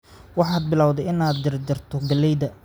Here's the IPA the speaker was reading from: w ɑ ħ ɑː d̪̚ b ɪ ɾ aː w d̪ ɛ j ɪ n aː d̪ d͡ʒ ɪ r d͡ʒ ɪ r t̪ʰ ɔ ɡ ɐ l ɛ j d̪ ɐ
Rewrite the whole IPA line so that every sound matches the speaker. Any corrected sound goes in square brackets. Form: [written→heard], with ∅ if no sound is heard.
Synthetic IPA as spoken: w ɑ ħ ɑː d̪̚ b ɪ [ɾ→l] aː w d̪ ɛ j ɪ n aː d̪ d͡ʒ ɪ r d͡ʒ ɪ r t̪ʰ ɔ ɡ ɐ l ɛ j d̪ ɐ